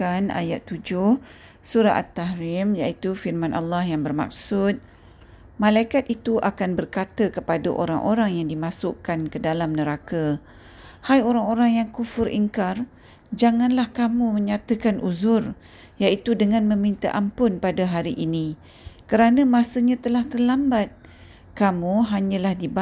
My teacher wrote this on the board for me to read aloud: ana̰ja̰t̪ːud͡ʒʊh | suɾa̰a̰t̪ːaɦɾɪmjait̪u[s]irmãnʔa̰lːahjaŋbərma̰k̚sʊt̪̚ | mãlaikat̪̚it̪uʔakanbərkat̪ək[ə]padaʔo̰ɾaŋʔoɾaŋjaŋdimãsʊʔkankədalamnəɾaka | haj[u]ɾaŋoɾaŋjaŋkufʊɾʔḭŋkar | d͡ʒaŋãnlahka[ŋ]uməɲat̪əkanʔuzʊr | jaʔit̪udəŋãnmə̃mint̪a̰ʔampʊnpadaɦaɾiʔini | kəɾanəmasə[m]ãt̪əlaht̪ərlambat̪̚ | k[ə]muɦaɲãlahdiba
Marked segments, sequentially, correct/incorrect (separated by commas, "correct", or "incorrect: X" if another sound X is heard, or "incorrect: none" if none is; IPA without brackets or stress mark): incorrect: f, correct, incorrect: o, incorrect: m, incorrect: ɲ, incorrect: a